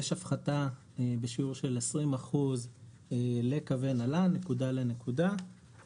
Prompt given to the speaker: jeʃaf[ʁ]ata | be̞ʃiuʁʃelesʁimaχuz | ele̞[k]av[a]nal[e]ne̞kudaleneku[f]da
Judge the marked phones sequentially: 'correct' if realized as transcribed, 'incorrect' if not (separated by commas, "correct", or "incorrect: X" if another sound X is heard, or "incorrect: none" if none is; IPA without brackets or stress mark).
incorrect: χ, correct, incorrect: e, incorrect: a, incorrect: none